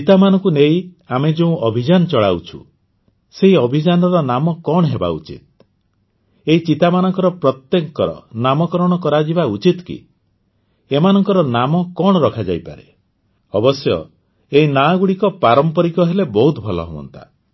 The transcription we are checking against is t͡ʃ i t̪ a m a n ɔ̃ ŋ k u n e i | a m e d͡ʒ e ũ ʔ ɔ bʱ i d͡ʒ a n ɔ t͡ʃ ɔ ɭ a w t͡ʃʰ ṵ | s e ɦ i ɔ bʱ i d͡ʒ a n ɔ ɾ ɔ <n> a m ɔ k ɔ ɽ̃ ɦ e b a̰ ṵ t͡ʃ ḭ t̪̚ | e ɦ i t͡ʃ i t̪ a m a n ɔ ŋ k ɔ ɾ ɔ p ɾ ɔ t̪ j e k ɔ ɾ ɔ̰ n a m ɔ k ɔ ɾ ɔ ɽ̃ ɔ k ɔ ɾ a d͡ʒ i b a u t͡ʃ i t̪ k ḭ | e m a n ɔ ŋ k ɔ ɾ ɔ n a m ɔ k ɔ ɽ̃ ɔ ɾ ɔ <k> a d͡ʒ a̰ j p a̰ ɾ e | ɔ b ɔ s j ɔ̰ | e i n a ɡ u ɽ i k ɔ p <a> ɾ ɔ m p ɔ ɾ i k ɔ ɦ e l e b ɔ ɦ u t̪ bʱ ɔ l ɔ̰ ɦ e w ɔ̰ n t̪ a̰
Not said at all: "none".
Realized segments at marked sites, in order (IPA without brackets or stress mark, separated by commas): n, kʰ, a